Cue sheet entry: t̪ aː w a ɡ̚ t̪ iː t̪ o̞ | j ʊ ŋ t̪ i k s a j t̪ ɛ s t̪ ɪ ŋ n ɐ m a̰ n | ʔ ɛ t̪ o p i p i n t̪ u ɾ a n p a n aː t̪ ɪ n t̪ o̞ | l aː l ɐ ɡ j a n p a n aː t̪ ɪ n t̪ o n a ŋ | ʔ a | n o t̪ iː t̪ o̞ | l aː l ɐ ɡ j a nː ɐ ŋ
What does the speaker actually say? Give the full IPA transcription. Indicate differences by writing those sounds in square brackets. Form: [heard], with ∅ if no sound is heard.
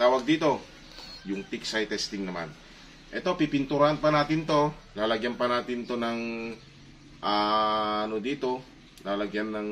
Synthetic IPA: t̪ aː w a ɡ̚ [d̪] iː t̪ o̞ | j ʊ ŋ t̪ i k s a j t̪ ɛ s t̪ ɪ ŋ n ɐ m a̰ n | ʔ ɛ t̪ o p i p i n t̪ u ɾ a n p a n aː t̪ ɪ n t̪ o̞ | l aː l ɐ ɡ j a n p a n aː t̪ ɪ n t̪ o n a ŋ | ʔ a | n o [d̪] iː t̪ o̞ | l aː l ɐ ɡ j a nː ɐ ŋ